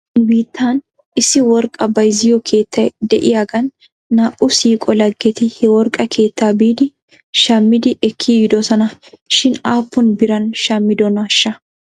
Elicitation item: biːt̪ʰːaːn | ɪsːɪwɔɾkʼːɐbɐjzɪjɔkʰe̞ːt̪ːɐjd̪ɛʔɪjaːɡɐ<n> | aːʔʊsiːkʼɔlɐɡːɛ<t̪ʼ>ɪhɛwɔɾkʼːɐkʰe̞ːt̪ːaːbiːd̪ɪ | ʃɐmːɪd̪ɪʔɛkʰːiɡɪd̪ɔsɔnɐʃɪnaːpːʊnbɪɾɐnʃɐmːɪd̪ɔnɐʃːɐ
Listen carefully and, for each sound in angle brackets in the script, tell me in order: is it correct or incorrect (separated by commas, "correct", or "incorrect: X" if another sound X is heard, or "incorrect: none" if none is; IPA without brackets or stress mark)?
incorrect: nː, incorrect: t̪